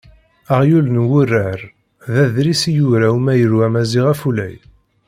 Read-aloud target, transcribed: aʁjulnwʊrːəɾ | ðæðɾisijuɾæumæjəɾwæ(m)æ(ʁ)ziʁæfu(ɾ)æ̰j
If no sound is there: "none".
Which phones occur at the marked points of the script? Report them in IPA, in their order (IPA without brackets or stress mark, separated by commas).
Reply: m, none, l